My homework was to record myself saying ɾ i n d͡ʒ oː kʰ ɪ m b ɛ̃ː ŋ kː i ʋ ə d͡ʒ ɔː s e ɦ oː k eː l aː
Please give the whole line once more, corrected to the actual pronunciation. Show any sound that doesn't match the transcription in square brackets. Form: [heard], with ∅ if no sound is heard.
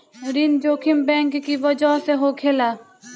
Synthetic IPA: ɾ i n d͡ʒ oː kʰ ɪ m b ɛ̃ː ŋ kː i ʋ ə d͡ʒ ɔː s e ɦ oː [kʰ] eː l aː

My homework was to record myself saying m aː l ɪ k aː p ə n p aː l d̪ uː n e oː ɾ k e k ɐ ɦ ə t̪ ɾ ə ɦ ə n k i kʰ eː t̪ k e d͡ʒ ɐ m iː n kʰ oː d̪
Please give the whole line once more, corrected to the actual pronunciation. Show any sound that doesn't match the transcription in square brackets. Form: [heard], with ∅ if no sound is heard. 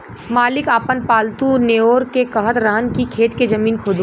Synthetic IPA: m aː l ɪ k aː p ə n p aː l [t̪] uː n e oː ɾ k e k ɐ ɦ ə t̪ ɾ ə ɦ ə n k i kʰ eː t̪ k e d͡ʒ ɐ m iː n kʰ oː d̪

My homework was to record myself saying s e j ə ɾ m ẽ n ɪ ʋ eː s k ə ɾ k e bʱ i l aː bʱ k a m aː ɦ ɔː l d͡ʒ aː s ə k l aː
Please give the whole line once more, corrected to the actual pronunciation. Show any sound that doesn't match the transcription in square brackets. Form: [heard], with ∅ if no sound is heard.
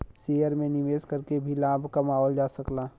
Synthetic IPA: s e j ə ɾ m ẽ n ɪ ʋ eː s k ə ɾ k e bʱ i l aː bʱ k a m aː ɦ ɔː l d͡ʒ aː s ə k l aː

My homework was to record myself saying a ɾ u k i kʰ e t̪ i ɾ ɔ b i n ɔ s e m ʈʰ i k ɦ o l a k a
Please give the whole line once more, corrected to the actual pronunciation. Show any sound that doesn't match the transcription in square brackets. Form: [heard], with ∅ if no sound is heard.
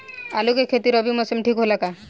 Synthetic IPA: a [l] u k [e] kʰ e t̪ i ɾ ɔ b i [m] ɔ s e m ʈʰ i k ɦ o l a k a

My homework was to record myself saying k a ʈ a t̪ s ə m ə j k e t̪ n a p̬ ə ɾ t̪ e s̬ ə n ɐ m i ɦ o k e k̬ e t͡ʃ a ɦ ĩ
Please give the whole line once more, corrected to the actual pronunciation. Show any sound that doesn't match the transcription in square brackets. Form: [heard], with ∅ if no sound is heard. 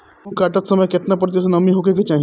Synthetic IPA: k a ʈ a t̪ s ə m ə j k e t̪ n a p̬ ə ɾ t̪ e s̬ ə n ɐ m i ɦ o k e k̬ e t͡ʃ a ɦ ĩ

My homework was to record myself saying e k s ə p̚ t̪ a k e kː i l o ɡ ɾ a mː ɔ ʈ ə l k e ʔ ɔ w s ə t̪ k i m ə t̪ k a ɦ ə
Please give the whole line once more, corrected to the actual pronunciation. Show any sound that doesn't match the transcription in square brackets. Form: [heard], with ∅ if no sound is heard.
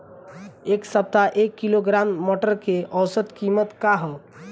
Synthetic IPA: e k s ə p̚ t̪ a [ʔ] e kː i l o ɡ ɾ a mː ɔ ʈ ə [ɾ] k e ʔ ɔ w s ə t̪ k i m ə t̪ k a ɦ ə

